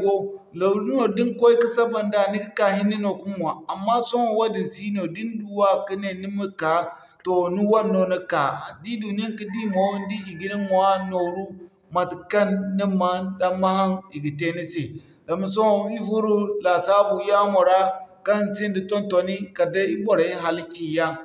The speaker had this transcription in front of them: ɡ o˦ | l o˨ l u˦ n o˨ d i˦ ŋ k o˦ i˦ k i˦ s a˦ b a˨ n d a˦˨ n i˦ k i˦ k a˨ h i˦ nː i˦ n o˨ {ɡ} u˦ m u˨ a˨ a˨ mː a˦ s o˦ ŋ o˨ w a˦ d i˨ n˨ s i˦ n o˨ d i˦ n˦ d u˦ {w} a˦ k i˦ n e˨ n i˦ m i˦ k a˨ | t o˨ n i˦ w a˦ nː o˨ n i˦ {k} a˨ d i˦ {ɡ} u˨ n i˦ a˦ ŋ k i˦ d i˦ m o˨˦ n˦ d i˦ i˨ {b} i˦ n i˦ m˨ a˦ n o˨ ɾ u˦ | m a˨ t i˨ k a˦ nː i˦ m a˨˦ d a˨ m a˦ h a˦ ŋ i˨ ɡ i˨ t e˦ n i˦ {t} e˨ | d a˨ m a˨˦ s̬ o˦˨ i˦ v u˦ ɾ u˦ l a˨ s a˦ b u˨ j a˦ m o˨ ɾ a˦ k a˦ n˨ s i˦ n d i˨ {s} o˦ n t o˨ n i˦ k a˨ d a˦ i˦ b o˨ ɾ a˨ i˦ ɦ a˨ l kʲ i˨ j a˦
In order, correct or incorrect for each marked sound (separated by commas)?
incorrect, correct, correct, incorrect, incorrect, incorrect, incorrect